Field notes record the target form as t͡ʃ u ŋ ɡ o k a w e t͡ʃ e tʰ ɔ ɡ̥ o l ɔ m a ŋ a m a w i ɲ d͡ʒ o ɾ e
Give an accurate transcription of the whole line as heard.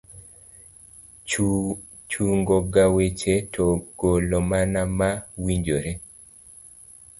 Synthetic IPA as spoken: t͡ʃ u ŋ ɡ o ɡ a w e t͡ʃ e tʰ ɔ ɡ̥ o l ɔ m a n a m a w i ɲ d͡ʒ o ɾ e

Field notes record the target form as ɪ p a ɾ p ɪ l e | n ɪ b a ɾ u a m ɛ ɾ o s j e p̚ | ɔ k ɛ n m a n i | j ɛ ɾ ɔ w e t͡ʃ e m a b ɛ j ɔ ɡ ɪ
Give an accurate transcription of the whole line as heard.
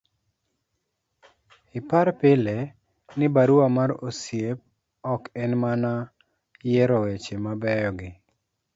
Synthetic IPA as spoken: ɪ p a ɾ p ɪ l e | n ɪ b a ɾ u a m a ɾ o s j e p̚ | ɔ k ɛ n m a n a | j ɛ ɾ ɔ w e t͡ʃ e m a b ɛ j ɔ ɡ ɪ

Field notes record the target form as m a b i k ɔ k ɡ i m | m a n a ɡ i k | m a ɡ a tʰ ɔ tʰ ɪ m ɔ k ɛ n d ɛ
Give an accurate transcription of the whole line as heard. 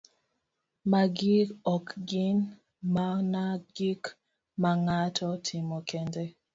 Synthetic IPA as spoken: m a ɡ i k ɔ k ɡ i n | m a n a ɡ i k | m a ŋ a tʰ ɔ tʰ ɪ m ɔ k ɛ n d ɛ

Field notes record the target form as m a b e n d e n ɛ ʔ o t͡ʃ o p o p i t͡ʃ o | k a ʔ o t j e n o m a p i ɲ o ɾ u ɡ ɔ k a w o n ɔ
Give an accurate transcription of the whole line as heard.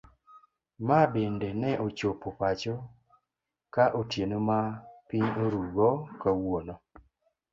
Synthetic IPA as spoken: m a b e n d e n ɛ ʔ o t͡ʃ o p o p a t͡ʃ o | k a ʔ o t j e n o m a p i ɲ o ɾ u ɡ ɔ k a w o n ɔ

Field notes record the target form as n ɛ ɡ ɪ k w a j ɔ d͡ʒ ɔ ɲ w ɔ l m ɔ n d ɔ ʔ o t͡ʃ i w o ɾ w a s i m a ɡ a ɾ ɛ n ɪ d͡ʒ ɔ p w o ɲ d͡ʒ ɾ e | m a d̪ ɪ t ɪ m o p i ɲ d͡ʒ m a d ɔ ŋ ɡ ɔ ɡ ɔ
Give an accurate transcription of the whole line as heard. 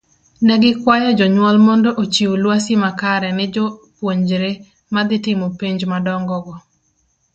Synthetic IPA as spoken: n ɛ ɡ ɪ k w a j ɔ d͡ʒ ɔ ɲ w ɔ l m ɔ n d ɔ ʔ o t͡ʃ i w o l w a s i m a k a ɾ ɛ n ɪ d͡ʒ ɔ p w o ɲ d͡ʒ ɾ e | m a d̪ ɪ t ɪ m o p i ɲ d͡ʒ m a d ɔ ŋ ɡ ɔ ɡ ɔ

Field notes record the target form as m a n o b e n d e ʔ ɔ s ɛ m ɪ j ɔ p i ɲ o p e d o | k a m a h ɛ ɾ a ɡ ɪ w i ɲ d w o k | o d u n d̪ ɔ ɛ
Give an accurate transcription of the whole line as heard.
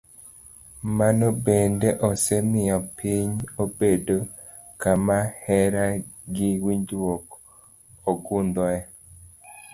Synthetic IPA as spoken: m a n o b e n d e ʔ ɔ s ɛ m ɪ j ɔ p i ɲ o b e d o | k a m a h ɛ ɾ a ɡ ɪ w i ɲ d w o k | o ɡ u n d̪ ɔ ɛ

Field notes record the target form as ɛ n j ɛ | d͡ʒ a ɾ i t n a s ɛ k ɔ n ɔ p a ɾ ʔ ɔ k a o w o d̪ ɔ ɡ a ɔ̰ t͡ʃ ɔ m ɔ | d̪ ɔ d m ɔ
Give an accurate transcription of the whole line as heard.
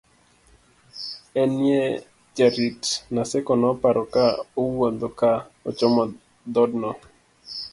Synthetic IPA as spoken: ɛ n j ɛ | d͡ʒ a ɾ i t n a s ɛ k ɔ n ɔ p a ɾ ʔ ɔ k a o w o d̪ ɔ k a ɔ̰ t͡ʃ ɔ m ɔ | d̪ ɔ d n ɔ

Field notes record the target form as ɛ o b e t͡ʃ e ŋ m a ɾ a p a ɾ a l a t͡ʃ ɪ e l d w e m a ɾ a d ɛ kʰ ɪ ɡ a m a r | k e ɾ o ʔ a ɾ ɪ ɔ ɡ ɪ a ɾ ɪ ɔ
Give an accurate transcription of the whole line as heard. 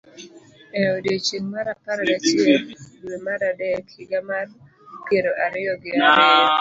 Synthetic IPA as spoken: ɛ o d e t͡ʃ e ŋ m a ɾ a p a ɾ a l a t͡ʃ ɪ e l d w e m a ɾ a d ɛ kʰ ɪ ɡ a m a r | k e ɾ o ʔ a ɾ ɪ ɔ ɡ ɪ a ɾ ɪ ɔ

